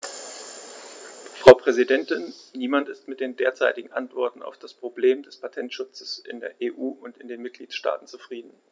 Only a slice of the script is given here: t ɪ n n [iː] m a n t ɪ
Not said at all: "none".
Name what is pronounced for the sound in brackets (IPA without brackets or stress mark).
iː